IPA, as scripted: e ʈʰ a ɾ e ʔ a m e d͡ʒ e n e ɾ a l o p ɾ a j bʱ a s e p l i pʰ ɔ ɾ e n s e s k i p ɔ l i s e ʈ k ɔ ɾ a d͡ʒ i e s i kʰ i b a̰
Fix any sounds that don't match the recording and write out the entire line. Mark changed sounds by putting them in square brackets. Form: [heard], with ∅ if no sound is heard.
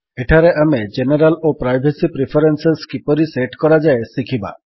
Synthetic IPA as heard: e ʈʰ a ɾ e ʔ a m e d͡ʒ e n e ɾ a l o p ɾ a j bʱ [e] s [i] p [ɾ] i pʰ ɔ ɾ e n s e s k i p ɔ [ɾ] i s e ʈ k ɔ ɾ a d͡ʒ [a] e s i kʰ i b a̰